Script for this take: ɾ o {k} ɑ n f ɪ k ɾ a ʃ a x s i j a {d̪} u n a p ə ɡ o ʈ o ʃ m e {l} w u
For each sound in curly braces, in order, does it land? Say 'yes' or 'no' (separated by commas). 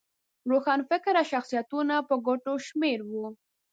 no, no, no